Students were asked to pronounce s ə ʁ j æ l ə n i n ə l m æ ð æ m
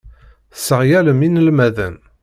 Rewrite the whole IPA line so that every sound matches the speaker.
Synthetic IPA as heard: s ə ʁ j æ l ə m i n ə l m æ ð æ n